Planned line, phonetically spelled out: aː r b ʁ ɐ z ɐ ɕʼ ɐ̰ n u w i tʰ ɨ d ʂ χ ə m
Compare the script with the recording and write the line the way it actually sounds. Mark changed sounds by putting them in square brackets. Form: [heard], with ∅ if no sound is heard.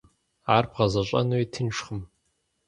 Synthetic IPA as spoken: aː r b ʁ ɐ z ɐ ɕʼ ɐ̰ n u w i tʰ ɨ [n] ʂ χ ə m